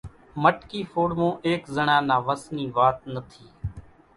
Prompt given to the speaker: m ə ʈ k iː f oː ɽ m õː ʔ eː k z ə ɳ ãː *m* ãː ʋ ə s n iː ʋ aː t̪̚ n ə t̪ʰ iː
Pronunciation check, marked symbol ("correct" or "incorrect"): incorrect